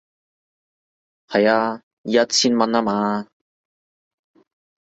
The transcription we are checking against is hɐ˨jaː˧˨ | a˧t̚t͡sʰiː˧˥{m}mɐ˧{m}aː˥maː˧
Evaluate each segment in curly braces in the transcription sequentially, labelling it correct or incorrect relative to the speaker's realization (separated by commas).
incorrect, incorrect